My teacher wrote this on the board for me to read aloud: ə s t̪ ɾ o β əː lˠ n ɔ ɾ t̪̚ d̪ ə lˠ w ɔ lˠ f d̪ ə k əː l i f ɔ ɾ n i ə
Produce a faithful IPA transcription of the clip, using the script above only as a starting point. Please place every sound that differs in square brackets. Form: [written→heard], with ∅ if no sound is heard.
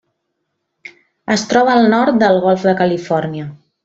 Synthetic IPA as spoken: ə s t̪ ɾ [o→ɔ] β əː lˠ n ɔ ɾ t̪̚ d̪ ə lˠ [w→ɣ] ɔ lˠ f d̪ ə k [əː→ə] l i f ɔ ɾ n i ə